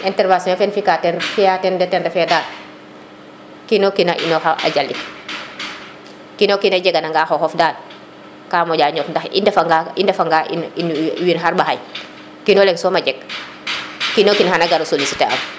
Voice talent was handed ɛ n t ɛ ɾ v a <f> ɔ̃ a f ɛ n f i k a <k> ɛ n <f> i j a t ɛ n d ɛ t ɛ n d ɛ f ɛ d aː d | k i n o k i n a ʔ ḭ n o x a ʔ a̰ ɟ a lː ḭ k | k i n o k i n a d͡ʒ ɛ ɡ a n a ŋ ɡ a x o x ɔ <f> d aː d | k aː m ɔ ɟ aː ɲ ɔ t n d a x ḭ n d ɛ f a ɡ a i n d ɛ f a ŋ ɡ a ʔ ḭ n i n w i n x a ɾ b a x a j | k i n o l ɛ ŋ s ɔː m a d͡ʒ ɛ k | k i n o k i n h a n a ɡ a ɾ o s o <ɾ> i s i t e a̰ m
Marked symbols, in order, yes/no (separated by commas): no, no, yes, yes, no